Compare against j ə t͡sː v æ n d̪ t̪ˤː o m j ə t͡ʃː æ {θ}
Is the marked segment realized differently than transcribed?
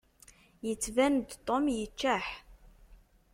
yes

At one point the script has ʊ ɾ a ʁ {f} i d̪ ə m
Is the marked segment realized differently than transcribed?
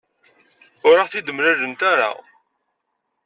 yes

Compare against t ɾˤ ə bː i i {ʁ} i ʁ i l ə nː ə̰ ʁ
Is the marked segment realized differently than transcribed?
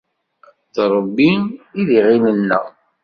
yes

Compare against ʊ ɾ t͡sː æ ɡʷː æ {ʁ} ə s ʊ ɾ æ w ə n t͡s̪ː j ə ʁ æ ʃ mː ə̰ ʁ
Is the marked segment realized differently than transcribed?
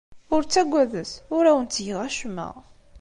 yes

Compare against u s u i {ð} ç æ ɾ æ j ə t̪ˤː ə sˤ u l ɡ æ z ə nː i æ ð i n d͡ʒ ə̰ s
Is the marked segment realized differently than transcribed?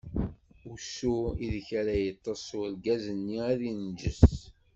no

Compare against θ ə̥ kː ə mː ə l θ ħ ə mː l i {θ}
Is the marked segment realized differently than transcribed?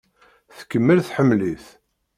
no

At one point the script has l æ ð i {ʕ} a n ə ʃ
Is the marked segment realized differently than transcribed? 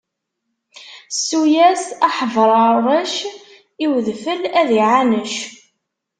no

